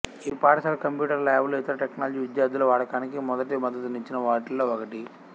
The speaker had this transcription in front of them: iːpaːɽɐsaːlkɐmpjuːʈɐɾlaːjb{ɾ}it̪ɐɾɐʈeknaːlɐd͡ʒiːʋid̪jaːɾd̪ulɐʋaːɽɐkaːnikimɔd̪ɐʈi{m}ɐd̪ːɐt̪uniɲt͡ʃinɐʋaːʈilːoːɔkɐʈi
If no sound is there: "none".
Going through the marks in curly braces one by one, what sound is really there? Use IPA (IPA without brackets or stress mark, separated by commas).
l, m